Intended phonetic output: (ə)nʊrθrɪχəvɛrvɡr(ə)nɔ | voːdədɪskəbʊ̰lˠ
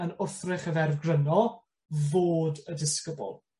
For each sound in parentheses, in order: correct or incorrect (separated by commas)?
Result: correct, correct